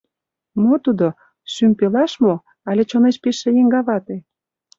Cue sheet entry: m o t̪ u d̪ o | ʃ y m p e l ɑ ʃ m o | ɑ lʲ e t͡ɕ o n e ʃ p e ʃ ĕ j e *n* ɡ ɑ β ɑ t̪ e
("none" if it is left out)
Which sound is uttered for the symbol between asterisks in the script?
ŋ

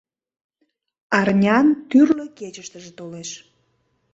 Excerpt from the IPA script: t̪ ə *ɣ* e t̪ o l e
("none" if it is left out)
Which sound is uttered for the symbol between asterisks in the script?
ʒ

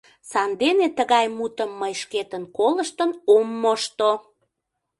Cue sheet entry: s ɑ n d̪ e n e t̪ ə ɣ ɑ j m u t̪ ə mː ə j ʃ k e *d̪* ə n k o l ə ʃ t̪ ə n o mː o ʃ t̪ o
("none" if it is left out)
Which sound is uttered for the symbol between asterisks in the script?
t̪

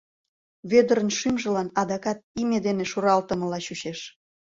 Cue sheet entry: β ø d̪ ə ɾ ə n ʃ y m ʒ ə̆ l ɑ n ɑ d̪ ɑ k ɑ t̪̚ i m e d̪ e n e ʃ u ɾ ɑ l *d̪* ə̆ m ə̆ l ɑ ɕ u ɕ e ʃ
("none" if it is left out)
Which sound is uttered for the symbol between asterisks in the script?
t̪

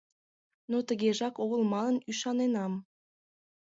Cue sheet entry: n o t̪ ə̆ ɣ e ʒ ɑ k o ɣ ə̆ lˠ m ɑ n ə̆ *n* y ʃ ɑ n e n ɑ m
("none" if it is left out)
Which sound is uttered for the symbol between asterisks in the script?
n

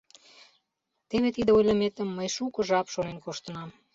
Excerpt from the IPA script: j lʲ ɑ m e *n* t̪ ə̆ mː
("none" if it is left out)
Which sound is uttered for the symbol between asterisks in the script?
none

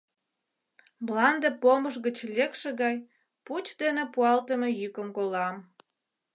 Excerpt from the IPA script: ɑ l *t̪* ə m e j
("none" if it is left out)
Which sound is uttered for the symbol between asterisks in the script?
t̪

